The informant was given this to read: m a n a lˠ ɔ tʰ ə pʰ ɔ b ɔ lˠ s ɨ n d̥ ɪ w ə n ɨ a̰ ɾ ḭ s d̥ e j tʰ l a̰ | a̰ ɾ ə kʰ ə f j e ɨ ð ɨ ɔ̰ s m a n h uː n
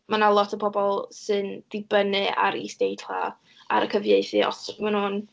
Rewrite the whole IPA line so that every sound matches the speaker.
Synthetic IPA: m a n a lˠ ɔ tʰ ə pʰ ɔ b ɔ lˠ s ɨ n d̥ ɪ b ə n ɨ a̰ ɾ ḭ s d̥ e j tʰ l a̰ | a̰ ɾ ə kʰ ə v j e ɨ θ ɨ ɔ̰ s m a n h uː n